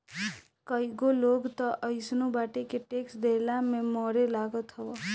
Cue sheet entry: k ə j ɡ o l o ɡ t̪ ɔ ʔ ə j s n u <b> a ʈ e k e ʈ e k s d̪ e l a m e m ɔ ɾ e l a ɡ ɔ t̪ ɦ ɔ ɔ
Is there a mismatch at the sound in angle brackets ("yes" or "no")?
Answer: no